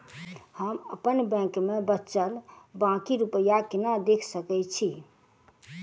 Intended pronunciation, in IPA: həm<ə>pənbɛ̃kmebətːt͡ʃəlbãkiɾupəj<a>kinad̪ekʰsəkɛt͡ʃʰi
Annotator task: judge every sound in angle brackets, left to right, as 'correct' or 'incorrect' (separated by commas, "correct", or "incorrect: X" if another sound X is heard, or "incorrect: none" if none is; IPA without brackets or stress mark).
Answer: correct, correct